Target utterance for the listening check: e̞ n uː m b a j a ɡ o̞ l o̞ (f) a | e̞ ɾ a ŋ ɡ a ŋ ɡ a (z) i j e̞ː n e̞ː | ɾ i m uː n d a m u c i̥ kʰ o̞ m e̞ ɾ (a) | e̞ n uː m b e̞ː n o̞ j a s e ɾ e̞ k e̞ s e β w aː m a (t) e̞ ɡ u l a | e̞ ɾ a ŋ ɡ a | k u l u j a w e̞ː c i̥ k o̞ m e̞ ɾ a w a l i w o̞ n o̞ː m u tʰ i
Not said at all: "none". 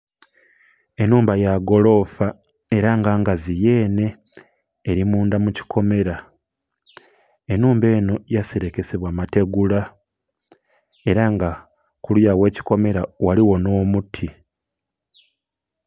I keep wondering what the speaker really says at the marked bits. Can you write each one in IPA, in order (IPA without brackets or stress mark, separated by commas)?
f, z, a, t